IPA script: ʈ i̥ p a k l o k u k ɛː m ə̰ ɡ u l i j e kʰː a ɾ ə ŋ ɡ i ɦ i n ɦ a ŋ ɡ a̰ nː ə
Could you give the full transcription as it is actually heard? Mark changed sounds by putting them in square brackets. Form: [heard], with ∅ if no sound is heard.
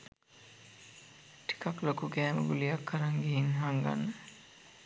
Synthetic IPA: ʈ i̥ [k] a k l o k u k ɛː m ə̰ ɡ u l i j [a] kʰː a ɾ [a] ŋ ɡ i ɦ i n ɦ a ŋ ɡ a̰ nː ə